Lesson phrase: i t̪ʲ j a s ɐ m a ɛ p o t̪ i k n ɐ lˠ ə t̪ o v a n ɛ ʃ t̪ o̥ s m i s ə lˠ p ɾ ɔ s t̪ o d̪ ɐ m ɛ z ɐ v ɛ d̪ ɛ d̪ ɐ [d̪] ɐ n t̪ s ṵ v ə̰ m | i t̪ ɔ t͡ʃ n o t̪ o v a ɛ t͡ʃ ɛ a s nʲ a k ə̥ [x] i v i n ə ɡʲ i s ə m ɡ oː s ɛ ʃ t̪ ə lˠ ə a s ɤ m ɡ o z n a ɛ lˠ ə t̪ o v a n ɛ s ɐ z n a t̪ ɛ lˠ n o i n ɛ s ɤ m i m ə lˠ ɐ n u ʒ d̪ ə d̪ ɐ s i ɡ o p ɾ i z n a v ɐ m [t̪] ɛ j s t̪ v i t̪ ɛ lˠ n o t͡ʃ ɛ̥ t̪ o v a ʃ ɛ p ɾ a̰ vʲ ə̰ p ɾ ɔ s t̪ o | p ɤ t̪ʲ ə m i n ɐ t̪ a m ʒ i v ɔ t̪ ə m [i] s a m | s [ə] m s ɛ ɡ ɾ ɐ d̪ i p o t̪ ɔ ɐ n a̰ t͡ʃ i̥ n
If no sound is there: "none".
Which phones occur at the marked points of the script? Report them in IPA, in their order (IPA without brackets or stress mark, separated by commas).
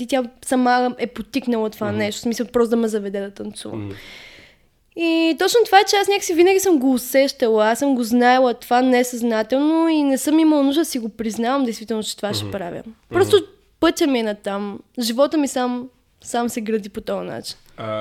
t̪, s, d̪, i, a